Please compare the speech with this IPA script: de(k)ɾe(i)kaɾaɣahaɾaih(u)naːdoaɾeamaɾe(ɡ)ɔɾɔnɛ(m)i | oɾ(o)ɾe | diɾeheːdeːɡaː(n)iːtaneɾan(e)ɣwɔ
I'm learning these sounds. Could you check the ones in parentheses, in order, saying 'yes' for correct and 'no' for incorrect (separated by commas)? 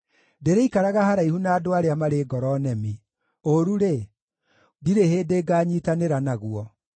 no, yes, yes, yes, yes, no, no, no